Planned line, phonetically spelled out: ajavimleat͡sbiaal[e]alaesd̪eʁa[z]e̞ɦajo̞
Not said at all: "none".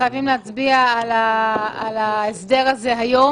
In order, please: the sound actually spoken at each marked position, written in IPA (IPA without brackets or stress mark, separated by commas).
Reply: a, z